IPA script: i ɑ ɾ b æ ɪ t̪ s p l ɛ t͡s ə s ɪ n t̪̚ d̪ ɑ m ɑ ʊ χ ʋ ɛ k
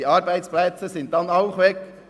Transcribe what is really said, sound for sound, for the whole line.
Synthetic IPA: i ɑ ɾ b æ ɪ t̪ s p l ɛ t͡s ə s ɪ n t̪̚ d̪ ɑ n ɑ ʊ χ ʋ ɛ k

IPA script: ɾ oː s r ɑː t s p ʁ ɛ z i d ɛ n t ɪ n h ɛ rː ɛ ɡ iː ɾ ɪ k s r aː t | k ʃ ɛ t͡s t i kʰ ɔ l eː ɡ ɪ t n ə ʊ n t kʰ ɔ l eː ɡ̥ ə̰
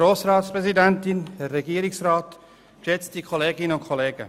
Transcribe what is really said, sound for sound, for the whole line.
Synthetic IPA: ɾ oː s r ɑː t s p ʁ ɛ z i d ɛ n t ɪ n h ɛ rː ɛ ɡ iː ɾ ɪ k s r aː t | k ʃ ɛ t͡s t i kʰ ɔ l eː ɡ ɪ n ə ʊ n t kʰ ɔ l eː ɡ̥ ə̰

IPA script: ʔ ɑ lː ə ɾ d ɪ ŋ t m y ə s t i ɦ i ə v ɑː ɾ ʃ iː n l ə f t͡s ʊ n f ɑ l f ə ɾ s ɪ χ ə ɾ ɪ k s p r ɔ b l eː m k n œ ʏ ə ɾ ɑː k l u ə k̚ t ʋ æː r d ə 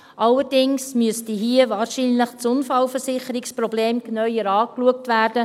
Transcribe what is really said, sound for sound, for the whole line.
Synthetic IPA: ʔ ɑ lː ə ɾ d ɪ ŋ s m y ə s t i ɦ i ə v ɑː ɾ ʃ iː n l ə χ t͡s ʊ n f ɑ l f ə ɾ s ɪ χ ə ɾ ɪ k s p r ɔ b l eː m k n œ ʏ ə ɾ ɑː k l u ə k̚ t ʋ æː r d ə

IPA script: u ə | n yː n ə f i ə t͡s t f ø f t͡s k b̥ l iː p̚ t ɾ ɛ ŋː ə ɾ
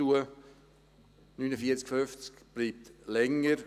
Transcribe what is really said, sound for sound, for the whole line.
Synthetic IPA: u ə | n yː n ə f i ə t͡s k f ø f t͡s k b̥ l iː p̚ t l ɛ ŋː ə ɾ

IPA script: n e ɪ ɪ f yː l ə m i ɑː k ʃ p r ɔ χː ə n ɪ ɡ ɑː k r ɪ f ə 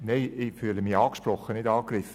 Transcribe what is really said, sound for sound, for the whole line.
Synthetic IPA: n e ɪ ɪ f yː l ə m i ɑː k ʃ p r ɔ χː ə n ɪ d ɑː k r ɪ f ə

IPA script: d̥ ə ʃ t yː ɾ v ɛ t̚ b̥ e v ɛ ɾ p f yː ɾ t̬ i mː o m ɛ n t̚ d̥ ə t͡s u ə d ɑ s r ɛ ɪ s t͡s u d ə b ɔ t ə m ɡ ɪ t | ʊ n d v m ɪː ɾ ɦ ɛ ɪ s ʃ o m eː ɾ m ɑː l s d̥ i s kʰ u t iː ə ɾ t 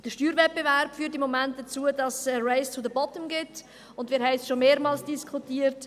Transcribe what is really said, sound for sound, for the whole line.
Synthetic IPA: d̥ ə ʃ t yː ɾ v ɛ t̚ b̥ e v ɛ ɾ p f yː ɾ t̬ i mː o m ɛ n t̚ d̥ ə t͡s u ə d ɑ s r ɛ ɪ s t͡s u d ə b ɔ t ə m ɡ ɪ t | ʊ n d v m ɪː ɾ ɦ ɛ ɪ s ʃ o m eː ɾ m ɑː l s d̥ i s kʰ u t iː ə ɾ t

